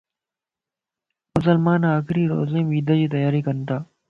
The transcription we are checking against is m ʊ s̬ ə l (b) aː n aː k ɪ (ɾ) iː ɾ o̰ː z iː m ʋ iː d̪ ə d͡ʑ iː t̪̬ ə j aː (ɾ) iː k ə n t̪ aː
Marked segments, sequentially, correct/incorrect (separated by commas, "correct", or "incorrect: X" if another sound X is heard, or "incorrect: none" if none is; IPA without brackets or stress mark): incorrect: m, correct, correct